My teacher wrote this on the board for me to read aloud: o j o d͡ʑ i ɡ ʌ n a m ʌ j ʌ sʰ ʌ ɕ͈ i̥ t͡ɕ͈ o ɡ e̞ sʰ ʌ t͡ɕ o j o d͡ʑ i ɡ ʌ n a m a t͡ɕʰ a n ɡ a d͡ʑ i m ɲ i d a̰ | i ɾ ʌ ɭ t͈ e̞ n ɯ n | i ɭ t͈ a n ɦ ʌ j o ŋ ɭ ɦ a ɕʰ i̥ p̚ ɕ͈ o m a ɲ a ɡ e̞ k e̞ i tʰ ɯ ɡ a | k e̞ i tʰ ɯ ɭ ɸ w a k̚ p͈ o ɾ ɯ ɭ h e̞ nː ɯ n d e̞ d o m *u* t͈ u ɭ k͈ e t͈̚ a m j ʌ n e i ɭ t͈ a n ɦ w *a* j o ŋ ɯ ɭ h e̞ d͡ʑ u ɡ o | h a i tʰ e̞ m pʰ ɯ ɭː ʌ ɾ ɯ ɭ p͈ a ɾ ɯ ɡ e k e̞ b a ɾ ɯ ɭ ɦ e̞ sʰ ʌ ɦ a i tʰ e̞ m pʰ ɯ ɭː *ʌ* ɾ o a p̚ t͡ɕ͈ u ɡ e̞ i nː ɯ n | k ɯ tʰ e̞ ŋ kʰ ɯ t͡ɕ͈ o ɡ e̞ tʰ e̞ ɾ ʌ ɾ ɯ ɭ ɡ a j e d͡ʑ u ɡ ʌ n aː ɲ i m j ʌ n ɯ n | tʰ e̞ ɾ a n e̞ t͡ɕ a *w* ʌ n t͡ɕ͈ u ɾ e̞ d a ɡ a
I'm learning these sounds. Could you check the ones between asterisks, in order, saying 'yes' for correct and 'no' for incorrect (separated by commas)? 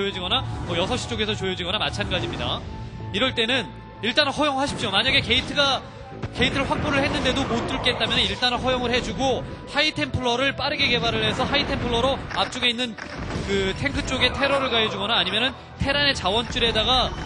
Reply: no, no, yes, yes